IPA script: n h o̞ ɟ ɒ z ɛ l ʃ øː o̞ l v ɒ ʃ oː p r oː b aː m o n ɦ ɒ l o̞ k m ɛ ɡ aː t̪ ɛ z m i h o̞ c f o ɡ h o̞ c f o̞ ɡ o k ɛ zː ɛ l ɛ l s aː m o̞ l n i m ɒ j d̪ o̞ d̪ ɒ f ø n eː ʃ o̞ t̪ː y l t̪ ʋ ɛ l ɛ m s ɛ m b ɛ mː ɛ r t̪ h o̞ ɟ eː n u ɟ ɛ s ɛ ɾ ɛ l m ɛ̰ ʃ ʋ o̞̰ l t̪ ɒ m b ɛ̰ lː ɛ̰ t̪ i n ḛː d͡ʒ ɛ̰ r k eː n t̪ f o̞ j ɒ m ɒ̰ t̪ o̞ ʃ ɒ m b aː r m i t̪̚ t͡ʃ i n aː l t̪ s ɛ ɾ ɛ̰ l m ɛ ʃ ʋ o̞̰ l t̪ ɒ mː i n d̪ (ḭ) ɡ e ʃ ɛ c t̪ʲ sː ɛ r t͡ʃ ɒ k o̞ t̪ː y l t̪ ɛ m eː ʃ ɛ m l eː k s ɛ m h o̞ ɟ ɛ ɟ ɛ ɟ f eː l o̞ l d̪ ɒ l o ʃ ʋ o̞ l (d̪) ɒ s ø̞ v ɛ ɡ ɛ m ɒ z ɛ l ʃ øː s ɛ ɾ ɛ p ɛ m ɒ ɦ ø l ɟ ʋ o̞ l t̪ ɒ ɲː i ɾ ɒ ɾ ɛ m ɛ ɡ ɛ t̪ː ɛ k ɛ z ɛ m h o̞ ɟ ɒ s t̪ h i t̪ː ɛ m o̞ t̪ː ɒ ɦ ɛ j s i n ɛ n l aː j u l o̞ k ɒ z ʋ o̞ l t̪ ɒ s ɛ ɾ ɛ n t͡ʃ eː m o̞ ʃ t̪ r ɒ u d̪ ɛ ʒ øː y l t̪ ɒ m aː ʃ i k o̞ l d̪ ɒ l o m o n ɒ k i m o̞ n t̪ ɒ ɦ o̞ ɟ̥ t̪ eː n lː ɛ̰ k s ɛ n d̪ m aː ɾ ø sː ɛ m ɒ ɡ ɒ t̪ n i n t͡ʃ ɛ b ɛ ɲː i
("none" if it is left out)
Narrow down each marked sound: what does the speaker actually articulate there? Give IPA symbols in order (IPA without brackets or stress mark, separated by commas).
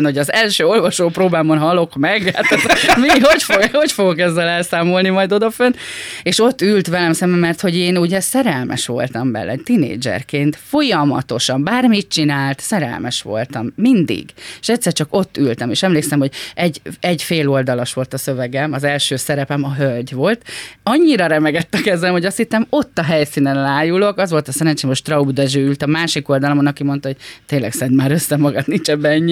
ḭ, t̪